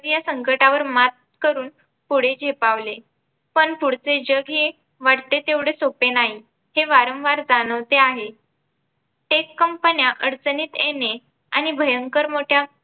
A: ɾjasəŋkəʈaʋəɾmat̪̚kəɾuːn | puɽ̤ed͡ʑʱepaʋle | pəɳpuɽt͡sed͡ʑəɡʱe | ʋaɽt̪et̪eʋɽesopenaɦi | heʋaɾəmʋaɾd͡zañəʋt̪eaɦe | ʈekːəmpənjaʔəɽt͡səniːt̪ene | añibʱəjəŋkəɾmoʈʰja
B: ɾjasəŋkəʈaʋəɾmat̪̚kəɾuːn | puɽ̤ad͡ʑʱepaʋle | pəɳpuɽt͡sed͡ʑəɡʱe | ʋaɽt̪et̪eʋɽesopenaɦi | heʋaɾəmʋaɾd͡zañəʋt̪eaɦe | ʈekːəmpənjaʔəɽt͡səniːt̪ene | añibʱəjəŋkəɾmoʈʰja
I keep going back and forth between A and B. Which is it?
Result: A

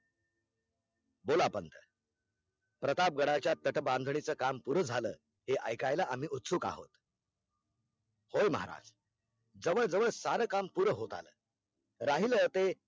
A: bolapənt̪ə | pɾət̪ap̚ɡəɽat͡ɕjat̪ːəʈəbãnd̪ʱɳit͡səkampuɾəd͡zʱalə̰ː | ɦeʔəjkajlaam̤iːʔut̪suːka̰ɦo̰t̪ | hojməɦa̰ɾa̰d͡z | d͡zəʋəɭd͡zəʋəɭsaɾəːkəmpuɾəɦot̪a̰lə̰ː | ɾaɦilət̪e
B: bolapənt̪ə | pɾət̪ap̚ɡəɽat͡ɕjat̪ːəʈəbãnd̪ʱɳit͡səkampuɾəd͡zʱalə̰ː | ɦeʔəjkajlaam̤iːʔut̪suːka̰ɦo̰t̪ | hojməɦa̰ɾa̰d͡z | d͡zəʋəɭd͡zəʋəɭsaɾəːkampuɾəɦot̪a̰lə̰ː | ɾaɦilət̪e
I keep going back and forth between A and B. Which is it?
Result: B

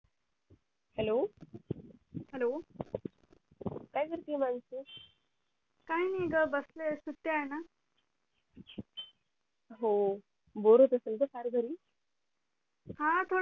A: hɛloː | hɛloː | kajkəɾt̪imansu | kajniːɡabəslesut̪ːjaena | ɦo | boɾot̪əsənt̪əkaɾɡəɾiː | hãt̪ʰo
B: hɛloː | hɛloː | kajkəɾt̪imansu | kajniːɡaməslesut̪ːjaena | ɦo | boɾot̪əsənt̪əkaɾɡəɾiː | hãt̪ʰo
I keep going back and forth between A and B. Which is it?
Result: A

